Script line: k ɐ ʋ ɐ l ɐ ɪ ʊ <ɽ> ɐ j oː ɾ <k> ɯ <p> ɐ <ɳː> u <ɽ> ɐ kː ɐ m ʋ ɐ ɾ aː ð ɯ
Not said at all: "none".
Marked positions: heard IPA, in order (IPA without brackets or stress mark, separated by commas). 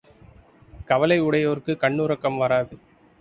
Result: ɽ, k, k, ɳː, ɾ